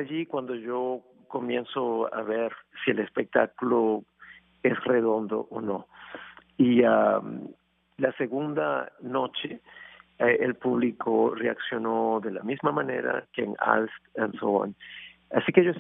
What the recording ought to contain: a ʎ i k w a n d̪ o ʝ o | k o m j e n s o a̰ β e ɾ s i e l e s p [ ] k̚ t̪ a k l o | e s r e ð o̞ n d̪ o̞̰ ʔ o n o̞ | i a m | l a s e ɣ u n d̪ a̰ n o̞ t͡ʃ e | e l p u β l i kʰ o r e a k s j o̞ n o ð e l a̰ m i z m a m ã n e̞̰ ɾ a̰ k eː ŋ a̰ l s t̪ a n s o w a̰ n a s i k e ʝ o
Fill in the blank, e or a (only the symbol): e